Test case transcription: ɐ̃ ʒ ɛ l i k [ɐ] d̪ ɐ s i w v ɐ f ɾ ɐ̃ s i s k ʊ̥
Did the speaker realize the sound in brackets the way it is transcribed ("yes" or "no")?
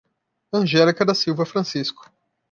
yes